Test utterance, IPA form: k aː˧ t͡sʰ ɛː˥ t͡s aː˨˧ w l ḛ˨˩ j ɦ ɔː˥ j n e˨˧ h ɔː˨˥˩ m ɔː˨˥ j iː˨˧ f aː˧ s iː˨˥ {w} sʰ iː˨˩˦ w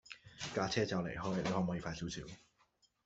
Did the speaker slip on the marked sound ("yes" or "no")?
no